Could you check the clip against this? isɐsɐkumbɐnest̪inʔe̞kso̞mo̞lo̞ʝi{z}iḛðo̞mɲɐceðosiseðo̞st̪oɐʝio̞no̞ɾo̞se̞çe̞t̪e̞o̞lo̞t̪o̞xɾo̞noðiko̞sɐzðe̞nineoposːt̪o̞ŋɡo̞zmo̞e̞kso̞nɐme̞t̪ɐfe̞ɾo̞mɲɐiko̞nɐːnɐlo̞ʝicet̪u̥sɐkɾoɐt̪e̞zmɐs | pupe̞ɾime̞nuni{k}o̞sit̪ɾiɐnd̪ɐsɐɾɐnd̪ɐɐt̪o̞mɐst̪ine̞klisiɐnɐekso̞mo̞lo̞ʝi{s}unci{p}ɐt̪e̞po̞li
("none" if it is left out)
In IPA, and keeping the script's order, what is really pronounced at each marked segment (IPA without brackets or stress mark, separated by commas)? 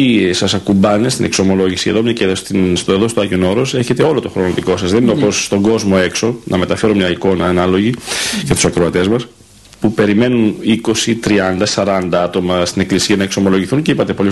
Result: s, k, θ, p